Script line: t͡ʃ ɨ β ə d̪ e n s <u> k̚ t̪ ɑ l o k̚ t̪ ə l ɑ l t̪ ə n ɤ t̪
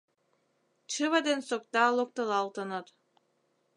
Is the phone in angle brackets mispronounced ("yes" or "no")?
yes